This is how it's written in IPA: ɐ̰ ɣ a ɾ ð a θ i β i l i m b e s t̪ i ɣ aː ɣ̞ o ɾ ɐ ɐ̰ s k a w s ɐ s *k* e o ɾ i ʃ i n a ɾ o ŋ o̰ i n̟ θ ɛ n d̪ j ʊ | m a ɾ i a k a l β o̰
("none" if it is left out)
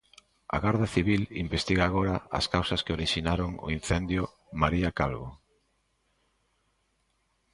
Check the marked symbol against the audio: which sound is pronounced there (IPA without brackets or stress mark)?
k